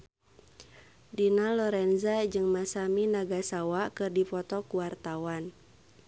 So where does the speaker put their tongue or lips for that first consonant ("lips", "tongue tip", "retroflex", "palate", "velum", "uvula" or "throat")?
tongue tip